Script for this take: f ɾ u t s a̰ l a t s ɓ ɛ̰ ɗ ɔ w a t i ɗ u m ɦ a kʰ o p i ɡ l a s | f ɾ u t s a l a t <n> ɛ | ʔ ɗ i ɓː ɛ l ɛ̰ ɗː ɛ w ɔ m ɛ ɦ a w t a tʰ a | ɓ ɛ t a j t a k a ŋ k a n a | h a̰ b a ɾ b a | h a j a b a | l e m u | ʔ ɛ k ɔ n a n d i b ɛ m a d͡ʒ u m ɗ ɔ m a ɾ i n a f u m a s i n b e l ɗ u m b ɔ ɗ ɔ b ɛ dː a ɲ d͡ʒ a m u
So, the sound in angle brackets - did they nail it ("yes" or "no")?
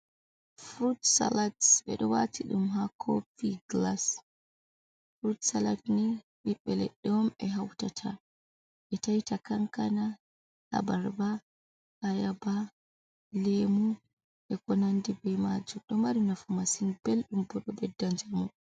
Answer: yes